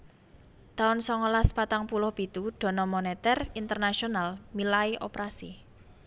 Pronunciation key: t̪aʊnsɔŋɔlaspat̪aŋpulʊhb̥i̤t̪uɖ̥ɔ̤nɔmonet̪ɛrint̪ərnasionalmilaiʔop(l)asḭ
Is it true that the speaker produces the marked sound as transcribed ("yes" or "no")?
no